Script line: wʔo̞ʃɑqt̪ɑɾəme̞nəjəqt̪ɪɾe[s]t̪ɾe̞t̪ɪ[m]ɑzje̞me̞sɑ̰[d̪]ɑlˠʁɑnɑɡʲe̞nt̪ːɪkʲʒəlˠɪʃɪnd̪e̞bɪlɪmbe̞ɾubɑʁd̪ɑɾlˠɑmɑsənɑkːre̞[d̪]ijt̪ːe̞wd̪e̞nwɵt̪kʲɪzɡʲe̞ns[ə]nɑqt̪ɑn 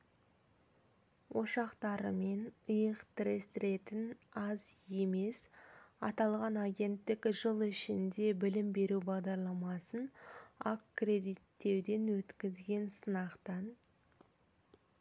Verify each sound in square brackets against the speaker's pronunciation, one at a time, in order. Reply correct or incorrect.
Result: correct, incorrect, incorrect, correct, correct

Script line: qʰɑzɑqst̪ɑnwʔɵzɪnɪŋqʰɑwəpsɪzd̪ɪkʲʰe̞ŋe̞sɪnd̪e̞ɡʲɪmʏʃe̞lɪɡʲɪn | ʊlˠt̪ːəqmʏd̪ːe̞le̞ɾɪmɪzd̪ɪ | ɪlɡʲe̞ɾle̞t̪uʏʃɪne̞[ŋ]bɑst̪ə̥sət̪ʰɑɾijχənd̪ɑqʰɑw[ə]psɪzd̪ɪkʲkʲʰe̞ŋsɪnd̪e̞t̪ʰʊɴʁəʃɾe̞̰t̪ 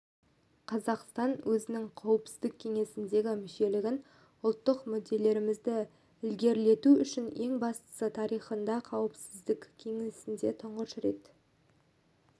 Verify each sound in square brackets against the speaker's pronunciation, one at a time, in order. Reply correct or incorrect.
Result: correct, correct

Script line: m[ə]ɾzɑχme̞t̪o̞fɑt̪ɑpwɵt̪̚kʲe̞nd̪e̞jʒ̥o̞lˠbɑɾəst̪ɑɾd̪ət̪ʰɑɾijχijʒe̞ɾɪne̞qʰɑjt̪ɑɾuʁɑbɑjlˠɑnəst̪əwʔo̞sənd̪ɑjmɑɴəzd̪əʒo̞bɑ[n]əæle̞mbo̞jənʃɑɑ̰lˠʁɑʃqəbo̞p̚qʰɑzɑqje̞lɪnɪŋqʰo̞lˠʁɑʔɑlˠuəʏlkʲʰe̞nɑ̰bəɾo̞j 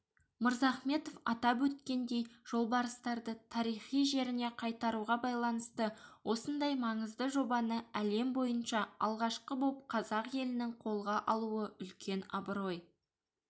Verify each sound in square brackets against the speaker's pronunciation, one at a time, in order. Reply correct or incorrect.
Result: correct, correct

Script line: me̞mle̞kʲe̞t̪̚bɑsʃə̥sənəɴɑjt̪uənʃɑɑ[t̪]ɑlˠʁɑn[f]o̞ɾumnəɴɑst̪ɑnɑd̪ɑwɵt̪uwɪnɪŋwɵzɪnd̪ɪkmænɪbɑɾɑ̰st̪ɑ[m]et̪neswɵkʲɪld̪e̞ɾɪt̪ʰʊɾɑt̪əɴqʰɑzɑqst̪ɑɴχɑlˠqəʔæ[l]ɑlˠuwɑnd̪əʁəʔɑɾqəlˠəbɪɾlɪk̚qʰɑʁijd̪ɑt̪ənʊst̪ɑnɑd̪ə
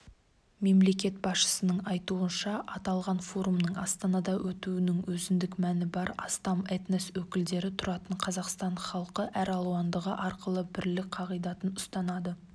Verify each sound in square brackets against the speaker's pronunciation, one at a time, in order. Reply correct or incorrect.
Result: correct, correct, correct, incorrect

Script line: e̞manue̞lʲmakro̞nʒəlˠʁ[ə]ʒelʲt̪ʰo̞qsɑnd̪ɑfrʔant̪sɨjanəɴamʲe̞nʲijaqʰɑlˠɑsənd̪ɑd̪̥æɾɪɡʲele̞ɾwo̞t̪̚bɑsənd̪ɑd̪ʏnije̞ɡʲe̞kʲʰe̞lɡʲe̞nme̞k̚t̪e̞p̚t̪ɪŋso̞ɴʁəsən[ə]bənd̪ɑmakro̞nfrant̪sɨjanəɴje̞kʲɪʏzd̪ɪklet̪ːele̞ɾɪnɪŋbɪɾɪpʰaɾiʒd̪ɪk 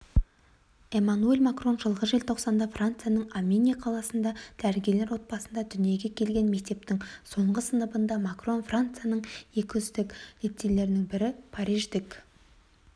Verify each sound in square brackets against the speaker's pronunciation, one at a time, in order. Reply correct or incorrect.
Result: correct, correct

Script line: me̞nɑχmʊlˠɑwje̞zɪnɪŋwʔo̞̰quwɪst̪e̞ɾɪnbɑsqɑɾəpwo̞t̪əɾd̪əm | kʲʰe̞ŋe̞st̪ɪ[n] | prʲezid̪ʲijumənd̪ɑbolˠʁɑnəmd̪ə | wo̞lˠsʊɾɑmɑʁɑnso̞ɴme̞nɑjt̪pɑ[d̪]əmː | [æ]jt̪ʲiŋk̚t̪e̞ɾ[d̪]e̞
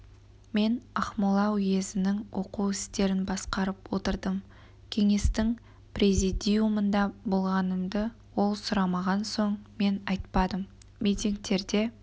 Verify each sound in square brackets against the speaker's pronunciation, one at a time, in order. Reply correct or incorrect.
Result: incorrect, correct, incorrect, correct

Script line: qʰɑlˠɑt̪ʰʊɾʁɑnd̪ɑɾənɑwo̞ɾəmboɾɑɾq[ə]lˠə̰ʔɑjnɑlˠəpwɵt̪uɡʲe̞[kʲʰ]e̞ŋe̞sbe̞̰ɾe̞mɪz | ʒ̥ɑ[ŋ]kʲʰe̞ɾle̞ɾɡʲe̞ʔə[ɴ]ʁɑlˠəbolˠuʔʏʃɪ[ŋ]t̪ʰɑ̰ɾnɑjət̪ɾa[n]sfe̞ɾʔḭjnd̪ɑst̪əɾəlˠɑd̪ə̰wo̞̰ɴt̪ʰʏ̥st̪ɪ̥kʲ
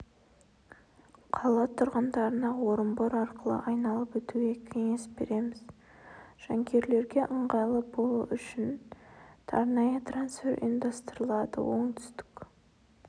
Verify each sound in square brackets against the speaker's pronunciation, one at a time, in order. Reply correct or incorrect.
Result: correct, correct, correct, correct, incorrect, correct

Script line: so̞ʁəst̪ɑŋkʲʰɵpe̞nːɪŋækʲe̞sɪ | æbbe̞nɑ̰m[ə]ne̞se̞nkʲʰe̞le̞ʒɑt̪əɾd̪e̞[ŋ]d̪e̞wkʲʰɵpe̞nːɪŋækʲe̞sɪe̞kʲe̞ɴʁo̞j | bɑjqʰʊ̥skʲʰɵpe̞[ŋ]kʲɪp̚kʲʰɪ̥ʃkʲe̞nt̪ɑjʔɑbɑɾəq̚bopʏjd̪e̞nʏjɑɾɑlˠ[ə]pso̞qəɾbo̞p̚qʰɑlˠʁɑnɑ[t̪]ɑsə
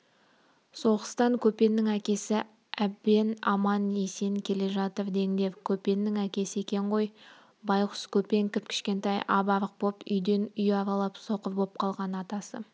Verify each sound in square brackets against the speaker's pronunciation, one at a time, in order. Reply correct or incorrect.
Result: incorrect, correct, correct, incorrect, correct

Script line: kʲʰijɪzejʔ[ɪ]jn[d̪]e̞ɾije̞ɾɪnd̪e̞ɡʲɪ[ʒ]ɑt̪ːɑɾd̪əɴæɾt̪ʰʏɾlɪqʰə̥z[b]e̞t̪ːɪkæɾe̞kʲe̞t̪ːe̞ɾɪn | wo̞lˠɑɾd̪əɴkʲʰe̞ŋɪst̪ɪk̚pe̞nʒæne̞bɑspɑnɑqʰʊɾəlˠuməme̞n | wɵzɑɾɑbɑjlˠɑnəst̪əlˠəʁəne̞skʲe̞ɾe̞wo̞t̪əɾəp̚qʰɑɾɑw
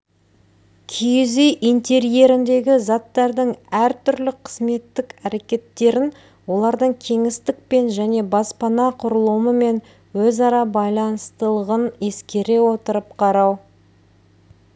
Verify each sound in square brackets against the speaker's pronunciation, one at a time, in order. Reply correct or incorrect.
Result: incorrect, incorrect, incorrect, incorrect

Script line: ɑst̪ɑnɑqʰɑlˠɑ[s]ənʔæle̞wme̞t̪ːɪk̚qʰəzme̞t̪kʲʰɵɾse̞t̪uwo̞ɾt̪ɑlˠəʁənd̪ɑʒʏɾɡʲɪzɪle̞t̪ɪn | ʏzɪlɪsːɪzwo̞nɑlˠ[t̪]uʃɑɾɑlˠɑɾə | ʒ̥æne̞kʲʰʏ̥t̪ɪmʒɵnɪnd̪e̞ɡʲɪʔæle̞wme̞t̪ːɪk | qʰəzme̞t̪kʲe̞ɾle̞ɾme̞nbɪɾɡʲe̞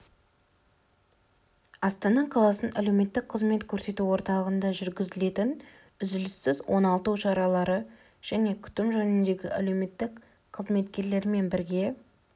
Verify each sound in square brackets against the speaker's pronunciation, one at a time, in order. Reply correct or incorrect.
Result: correct, correct

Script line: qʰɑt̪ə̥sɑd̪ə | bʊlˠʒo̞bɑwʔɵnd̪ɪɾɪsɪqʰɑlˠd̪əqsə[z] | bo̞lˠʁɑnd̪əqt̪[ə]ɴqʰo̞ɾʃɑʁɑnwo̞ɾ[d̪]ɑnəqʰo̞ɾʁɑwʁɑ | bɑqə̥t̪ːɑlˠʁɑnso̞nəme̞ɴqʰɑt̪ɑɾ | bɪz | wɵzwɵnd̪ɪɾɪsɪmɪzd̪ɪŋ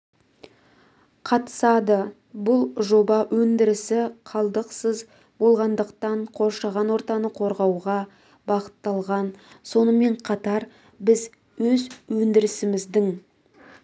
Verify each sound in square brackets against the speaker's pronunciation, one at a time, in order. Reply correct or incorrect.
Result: correct, incorrect, incorrect

